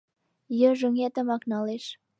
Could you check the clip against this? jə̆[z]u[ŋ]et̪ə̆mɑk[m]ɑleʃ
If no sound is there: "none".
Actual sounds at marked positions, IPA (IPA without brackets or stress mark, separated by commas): ʒ, ŋ, n